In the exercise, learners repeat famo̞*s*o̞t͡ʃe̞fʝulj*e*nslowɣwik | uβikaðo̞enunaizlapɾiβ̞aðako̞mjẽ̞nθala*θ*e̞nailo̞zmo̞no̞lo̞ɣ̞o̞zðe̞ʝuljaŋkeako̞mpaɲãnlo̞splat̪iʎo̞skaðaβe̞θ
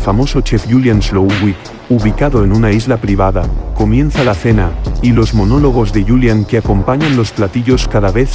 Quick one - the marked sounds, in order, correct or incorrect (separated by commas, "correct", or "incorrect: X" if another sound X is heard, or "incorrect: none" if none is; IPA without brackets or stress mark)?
correct, incorrect: a, correct